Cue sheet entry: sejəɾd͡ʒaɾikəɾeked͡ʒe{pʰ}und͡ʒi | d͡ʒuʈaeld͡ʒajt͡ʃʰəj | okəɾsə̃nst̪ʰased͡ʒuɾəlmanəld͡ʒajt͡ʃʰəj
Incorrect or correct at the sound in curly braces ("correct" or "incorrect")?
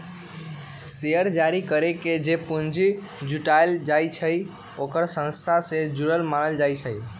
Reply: incorrect